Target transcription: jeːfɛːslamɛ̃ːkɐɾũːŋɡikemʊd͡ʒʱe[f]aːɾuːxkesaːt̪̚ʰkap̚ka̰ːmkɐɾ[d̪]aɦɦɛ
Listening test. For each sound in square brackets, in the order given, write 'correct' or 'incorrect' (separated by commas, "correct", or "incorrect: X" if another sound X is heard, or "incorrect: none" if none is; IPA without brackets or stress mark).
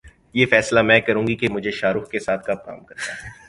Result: incorrect: ʃ, incorrect: t̪